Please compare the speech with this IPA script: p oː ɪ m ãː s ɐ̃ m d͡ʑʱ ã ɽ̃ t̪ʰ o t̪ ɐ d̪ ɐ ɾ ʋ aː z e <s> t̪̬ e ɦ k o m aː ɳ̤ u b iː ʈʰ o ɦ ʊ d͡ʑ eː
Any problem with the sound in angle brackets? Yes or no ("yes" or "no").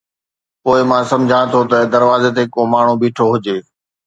yes